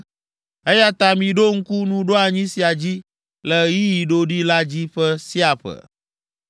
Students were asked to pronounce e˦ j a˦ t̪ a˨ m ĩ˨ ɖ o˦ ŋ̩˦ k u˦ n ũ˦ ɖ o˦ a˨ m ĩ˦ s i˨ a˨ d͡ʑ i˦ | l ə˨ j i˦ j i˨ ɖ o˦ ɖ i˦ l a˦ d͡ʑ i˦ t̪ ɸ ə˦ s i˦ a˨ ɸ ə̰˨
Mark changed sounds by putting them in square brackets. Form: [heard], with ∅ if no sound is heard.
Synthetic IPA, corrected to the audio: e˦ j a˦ t̪ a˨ m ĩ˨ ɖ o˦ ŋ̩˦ k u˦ n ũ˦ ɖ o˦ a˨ [ɲ] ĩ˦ s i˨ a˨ d͡ʑ i˦ | l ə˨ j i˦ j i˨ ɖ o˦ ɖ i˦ l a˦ d͡ʑ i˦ [∅] ɸ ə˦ s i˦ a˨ ɸ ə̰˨